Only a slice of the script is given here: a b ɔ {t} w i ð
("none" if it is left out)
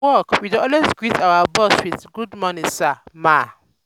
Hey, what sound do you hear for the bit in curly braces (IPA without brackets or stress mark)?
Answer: s